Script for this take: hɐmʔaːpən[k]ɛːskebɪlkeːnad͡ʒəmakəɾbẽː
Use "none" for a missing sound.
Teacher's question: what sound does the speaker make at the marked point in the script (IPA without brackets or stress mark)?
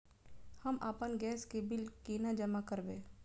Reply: ɡ